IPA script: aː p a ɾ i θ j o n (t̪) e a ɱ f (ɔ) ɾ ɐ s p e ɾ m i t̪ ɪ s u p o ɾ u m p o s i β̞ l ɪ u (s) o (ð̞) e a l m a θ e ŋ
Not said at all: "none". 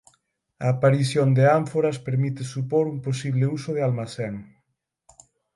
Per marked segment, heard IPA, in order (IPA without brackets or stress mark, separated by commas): d̪, o, s, ð̞